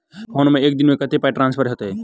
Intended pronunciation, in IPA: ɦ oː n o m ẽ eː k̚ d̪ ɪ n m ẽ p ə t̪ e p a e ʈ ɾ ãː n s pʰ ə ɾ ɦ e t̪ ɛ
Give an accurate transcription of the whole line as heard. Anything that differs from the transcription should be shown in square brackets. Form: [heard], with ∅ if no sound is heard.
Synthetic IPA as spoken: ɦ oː n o m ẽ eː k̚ d̪ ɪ n m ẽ [k] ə t̪ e p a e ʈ ɾ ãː n s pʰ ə ɾ ɦ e t̪ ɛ